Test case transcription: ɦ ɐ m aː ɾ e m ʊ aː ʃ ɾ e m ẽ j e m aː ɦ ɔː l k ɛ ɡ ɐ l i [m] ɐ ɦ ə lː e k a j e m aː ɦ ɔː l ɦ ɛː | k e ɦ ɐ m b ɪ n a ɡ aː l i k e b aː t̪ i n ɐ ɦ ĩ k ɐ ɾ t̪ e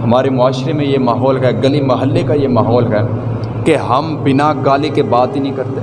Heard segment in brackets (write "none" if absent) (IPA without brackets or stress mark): m